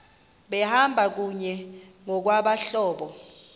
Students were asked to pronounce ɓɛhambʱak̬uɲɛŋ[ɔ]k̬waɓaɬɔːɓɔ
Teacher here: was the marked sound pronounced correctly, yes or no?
yes